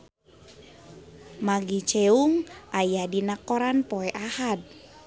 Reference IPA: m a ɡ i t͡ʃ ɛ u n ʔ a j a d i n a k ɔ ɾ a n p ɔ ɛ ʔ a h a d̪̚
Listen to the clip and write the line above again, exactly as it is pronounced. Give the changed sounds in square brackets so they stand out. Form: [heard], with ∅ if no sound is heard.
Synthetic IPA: m a ɡ i t͡ʃ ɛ u [ŋ] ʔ a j a d i n a k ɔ ɾ a n p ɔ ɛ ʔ a h a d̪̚